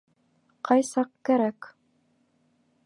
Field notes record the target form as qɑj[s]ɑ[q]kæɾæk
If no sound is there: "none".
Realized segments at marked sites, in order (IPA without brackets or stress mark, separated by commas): s, q